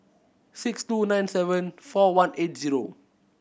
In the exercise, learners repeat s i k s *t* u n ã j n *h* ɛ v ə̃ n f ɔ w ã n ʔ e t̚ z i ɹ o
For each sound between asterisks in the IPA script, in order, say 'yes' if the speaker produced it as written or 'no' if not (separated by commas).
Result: yes, no